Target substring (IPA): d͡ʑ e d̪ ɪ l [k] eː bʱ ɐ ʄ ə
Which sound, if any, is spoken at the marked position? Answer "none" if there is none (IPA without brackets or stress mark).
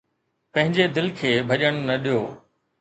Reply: kʰ